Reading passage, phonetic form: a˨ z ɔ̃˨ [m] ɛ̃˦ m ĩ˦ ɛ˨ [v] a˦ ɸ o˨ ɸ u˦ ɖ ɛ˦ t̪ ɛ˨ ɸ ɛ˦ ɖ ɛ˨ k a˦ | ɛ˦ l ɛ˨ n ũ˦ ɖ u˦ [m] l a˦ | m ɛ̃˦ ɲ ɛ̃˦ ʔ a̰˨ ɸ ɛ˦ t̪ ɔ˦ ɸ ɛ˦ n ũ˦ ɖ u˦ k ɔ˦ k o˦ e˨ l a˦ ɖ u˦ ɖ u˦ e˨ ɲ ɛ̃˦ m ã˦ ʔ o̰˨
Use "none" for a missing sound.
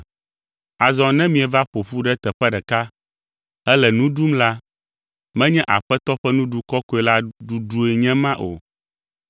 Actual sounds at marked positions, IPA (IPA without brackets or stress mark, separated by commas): n, v, m